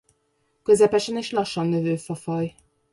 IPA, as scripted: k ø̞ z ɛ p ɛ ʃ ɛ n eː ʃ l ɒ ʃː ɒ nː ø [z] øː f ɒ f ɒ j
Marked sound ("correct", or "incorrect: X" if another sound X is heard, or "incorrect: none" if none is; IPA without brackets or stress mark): incorrect: v